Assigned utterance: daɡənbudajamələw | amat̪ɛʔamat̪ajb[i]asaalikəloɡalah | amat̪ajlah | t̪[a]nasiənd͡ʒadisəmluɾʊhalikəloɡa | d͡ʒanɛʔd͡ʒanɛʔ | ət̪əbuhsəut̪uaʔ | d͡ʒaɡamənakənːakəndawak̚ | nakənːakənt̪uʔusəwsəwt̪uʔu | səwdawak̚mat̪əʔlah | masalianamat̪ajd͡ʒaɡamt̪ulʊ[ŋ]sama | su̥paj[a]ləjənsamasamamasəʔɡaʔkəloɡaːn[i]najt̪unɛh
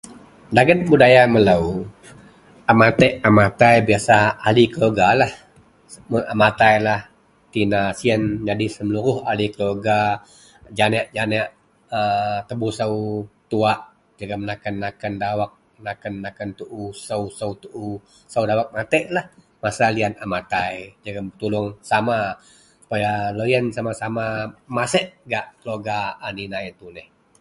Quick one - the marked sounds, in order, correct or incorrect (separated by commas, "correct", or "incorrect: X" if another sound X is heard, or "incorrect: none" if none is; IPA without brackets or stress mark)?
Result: correct, incorrect: i, correct, correct, correct